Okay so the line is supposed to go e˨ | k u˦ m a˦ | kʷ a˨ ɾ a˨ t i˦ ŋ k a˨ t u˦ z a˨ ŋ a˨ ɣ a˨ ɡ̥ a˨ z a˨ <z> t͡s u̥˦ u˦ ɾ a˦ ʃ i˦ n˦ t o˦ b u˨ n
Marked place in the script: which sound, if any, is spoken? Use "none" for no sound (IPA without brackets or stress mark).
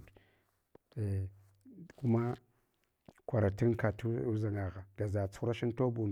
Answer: none